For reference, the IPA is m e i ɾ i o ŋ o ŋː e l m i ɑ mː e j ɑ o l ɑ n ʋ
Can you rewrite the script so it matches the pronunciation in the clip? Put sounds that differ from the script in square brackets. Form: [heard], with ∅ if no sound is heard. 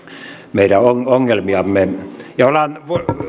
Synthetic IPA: m e i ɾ [æ] o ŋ o ŋː e l m i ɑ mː e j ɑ o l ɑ n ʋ